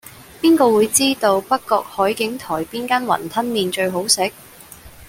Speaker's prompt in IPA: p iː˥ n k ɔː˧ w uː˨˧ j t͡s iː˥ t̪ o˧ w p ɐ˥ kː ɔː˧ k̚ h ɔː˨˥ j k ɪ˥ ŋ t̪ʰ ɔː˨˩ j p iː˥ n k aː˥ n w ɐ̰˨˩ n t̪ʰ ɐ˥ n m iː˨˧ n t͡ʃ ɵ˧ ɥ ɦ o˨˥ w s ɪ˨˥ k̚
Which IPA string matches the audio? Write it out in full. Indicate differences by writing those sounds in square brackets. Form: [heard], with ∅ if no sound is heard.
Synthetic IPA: p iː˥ n k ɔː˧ w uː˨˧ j t͡s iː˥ t̪ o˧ w p ɐ˥ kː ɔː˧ k̚ h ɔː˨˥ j k [ɪ˨˥] ŋ t̪ʰ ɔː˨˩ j p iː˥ n k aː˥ n w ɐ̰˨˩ n t̪ʰ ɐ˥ n m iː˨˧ n t͡ʃ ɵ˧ ɥ ɦ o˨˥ w s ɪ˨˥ k̚